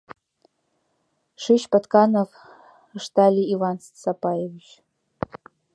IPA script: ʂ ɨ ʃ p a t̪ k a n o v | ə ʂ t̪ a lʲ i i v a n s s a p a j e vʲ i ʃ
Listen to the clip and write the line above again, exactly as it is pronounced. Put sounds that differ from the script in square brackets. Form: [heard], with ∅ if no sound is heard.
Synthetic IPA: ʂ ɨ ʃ p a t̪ k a n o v | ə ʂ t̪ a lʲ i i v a n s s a p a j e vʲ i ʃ

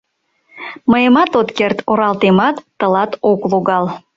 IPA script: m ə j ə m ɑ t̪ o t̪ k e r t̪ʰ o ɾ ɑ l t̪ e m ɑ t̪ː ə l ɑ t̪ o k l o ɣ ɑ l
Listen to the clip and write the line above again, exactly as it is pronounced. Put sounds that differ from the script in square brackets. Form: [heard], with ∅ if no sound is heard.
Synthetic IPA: m ə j ə m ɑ t̪ o t̪ k e r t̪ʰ o ɾ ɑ l t̪ e m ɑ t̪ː ə l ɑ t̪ o k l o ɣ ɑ l

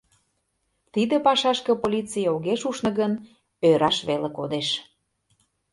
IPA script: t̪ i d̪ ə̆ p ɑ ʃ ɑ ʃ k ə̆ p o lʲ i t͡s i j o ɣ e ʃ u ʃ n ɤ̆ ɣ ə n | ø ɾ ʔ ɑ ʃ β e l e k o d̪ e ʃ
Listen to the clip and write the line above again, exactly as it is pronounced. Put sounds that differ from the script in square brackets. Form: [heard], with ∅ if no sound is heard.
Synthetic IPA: t̪ i d̪ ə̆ p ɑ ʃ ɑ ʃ k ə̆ p o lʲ i t͡s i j o ɣ e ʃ u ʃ n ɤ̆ ɣ ə n | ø ɾ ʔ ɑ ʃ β e l e k o d̪ e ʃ

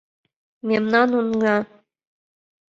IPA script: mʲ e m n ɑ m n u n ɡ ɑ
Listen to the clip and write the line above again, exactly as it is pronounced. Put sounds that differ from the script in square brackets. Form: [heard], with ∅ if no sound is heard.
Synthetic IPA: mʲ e m n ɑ [∅] n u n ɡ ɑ

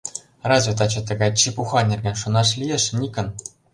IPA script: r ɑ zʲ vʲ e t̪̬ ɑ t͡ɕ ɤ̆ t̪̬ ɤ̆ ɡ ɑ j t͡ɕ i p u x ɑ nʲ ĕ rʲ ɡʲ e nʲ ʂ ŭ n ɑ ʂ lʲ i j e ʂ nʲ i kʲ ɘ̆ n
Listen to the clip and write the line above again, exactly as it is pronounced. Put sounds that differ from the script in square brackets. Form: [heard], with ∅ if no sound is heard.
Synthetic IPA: r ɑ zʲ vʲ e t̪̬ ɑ t͡ɕ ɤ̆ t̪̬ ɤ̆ ɡ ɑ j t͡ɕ i p u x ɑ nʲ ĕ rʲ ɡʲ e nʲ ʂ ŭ n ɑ ʂ lʲ i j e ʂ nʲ i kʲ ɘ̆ n

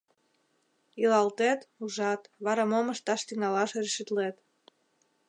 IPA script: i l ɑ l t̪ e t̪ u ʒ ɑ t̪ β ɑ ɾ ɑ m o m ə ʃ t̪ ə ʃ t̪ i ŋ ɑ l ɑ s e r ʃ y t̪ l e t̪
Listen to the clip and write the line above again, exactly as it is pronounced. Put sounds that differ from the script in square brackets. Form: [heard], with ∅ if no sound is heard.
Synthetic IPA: i l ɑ l t̪ e t̪ u ʒ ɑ t̪ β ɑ ɾ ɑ m o m ə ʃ t̪ [ɑ] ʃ t̪ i ŋ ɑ l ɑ [ʃ] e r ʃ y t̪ l e t̪

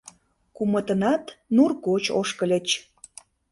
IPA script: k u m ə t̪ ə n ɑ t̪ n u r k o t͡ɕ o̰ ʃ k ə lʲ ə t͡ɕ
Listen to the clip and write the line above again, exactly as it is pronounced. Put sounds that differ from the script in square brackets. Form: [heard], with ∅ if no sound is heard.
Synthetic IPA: k u m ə t̪ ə n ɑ t̪ n u r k o t͡ɕ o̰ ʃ k ə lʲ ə t͡ɕ

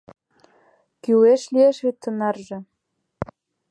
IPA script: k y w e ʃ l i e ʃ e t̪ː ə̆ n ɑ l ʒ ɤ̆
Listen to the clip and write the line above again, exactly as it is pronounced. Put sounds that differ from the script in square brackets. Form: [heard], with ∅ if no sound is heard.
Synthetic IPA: k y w e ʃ l i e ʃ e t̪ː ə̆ n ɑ [r] ʒ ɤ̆

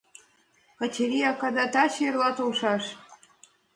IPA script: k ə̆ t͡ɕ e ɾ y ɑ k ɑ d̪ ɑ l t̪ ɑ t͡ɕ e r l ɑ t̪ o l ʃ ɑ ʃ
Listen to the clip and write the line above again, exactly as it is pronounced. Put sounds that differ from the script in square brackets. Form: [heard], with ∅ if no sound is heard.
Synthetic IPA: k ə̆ t͡ɕ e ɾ [i] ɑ k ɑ d̪ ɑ [∅] t̪ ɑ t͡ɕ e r l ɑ t̪ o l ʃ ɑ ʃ

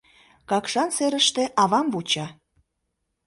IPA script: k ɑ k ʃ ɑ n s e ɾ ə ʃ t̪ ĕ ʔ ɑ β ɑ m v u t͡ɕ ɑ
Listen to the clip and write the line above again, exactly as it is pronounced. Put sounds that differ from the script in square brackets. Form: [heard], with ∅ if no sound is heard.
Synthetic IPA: k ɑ k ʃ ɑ n s e ɾ ə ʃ t̪ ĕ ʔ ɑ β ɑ m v u t͡ɕ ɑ

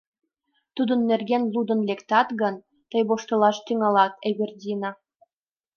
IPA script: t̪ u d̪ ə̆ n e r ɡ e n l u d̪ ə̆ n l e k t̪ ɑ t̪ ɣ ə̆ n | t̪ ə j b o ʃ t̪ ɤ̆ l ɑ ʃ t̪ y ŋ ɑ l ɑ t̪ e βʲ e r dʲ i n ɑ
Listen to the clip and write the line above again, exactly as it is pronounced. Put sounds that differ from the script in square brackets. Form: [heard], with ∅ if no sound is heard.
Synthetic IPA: t̪ u d̪ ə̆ [nː] e r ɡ e n l u d̪ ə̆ n l e k t̪ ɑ t̪ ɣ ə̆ n | t̪ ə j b o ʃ t̪ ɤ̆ l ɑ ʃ t̪ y ŋ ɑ l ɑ t̪ e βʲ e r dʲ i n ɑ

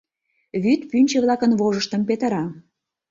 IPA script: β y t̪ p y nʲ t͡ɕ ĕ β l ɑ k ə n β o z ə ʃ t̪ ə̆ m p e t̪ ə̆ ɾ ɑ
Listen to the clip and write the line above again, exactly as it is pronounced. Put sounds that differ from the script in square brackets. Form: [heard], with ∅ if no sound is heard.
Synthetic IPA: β y t̪ p y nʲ t͡ɕ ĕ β l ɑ k ə n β o [ʒ] ə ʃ t̪ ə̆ m p e t̪ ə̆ ɾ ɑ

